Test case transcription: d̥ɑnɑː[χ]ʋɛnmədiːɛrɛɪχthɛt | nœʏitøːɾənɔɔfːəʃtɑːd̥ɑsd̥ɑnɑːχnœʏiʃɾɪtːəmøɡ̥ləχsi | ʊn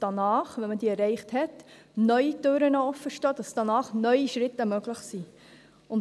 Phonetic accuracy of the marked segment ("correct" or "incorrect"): correct